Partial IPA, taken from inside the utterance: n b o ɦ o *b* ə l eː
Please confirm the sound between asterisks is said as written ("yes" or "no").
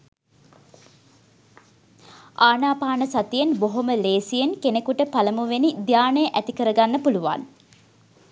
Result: no